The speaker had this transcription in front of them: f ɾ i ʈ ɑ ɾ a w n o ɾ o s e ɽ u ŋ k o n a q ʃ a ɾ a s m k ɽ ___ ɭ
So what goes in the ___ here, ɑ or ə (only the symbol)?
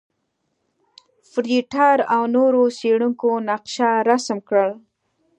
ə